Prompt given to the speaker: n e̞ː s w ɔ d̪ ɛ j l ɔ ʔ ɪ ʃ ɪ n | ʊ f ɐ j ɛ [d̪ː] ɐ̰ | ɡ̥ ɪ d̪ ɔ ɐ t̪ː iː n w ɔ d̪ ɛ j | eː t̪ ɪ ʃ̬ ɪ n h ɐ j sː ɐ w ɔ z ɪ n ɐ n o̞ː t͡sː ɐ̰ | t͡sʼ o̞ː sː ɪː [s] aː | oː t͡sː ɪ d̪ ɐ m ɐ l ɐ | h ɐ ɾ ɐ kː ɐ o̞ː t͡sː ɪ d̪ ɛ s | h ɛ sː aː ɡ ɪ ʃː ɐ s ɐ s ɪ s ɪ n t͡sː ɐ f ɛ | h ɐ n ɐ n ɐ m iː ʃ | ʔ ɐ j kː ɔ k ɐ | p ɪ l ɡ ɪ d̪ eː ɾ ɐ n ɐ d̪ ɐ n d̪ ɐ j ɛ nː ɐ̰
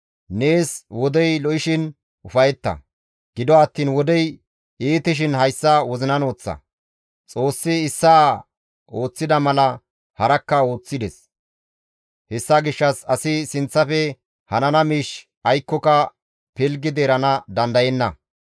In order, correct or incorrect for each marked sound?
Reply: incorrect, incorrect

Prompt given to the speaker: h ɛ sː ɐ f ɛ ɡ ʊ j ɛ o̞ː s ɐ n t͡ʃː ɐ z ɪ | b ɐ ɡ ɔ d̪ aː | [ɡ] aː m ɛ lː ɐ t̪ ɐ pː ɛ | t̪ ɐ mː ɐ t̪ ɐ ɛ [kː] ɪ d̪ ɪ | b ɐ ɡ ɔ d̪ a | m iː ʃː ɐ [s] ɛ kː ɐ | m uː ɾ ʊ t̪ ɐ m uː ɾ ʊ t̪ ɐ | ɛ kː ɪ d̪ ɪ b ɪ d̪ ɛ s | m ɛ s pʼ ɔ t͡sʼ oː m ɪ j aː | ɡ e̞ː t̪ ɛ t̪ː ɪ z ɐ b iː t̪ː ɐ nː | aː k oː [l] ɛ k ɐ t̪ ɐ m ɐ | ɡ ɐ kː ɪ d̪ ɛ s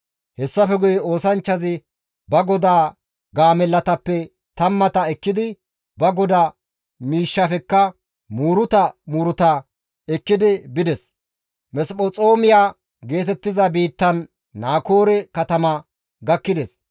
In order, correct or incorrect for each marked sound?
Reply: correct, correct, incorrect, incorrect

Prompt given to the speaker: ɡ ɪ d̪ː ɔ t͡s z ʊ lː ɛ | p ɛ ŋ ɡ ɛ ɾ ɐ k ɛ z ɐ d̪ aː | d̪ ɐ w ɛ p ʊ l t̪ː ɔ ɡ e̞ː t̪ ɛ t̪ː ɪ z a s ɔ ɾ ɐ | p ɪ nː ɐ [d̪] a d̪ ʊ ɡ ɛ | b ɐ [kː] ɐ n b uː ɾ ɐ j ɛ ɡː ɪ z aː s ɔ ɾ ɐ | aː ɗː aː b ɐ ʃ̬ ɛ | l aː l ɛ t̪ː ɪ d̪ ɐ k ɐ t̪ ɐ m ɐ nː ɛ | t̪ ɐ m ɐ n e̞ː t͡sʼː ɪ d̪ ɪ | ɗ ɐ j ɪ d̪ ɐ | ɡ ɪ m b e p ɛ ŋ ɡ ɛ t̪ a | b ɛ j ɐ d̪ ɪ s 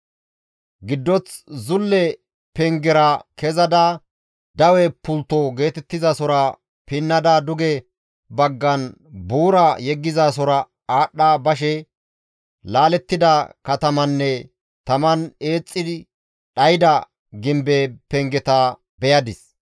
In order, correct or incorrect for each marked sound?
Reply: correct, incorrect

